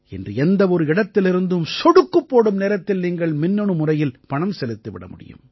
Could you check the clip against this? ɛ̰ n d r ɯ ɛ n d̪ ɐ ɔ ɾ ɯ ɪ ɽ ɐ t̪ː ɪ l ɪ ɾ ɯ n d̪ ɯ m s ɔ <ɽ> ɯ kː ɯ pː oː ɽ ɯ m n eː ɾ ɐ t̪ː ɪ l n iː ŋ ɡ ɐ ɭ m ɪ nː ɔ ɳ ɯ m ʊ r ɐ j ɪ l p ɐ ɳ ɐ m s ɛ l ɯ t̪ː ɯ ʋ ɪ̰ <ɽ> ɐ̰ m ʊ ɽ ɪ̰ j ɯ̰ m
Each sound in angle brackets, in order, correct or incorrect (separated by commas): correct, correct